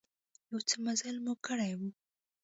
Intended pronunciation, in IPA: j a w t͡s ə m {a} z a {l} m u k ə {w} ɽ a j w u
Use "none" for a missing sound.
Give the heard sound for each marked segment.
a, l, none

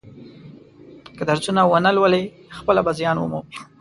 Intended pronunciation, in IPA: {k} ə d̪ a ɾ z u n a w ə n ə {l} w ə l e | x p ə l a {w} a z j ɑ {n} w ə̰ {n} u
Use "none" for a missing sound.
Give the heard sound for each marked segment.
k, l, b, n, m

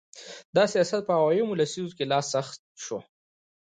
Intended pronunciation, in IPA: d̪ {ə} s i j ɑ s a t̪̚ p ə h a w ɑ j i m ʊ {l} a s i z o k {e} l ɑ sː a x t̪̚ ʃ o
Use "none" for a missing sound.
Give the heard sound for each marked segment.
ɑ, l, e

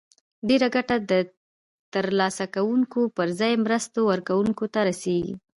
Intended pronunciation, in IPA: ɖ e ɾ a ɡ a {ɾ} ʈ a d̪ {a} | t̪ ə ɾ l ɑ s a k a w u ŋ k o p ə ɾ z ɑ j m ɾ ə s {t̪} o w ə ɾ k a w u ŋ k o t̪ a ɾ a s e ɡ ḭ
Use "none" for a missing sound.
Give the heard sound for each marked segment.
none, ə, t̪

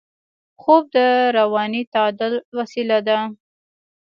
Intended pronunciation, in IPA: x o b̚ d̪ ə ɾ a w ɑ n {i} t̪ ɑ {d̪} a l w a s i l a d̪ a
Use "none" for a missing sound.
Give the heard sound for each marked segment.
i, d̪

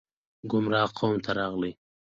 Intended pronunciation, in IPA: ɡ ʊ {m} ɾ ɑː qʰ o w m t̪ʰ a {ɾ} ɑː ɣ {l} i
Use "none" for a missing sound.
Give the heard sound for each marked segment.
m, ɾ, l

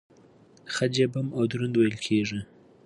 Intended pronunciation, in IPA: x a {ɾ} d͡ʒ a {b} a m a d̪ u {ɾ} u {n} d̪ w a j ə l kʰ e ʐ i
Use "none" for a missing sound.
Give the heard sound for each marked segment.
none, b, ɾ, n

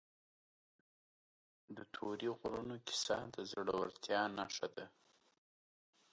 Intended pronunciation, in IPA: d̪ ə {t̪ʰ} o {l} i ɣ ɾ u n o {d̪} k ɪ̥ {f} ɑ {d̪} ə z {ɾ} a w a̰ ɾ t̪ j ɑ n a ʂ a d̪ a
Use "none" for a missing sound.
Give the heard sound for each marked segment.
t̪ʰ, ɾ, none, s, d̪, ɽ

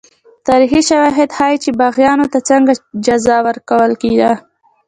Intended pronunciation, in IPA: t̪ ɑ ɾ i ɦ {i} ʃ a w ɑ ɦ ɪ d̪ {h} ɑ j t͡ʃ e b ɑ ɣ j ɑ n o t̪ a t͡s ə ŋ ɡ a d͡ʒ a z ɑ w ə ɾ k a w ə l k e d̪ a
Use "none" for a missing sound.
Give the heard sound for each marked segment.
i, h

